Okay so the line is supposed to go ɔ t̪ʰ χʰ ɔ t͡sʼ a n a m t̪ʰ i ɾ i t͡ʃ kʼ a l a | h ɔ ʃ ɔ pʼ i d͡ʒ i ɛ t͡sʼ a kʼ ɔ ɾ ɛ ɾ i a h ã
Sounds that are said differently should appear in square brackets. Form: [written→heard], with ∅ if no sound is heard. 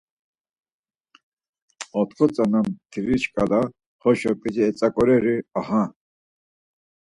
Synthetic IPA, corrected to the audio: ɔ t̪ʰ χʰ ɔ t͡sʼ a n a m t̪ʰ i ɾ i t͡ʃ kʼ a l a | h ɔ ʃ ɔ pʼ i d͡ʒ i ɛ t͡sʼ a kʼ ɔ ɾ ɛ ɾ i a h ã